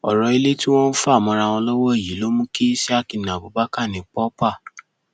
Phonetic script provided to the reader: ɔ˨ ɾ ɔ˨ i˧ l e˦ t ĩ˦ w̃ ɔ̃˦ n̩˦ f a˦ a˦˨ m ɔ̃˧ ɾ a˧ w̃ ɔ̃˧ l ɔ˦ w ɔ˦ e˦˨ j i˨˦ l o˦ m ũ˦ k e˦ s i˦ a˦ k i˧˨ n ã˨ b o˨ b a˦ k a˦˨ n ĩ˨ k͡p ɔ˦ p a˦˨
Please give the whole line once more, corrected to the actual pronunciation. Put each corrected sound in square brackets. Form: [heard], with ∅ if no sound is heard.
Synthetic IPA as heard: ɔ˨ ɾ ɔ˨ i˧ l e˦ t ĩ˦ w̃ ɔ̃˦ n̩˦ f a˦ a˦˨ m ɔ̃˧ ɾ a˧ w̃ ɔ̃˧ l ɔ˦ w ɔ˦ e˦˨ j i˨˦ l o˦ m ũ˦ k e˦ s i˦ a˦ k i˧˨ n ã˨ b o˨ b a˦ k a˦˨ n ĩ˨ k͡p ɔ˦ p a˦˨